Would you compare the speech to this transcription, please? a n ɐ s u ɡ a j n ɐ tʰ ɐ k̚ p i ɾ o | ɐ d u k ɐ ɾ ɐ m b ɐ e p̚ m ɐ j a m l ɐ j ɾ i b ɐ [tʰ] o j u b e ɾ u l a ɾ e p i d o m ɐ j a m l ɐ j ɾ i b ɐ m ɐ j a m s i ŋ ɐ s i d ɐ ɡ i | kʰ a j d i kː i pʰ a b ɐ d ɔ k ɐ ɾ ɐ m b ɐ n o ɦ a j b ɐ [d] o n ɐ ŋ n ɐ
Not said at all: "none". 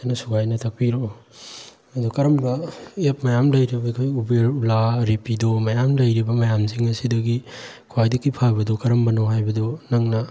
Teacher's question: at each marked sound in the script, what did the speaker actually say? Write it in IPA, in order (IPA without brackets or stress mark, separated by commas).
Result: kʰ, d